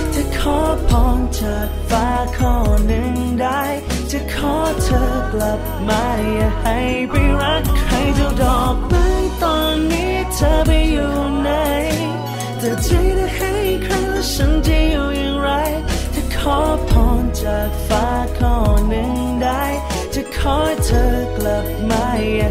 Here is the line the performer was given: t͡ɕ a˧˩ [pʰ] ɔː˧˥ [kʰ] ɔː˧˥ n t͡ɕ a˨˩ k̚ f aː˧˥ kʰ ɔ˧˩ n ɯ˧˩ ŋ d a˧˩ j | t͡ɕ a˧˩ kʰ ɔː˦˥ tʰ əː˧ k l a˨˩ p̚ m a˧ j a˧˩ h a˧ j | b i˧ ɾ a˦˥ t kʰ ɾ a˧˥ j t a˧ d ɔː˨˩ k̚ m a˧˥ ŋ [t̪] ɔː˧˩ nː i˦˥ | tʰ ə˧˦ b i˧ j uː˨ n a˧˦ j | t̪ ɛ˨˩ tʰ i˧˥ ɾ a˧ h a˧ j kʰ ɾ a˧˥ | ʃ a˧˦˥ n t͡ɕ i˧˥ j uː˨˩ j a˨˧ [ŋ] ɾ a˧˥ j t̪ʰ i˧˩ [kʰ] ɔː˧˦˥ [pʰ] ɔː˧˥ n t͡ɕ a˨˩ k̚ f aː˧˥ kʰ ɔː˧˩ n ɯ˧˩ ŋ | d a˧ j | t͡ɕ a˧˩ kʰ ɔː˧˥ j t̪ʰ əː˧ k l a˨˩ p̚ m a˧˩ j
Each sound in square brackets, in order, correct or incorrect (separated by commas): incorrect, incorrect, correct, correct, correct, correct